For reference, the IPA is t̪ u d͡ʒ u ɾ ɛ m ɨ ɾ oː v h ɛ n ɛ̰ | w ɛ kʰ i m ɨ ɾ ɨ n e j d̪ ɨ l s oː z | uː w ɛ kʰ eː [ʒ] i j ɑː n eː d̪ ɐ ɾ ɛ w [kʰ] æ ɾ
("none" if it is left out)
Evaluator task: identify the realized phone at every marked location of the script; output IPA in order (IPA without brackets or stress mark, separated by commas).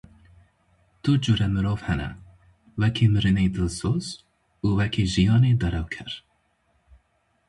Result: ʒ, kʰ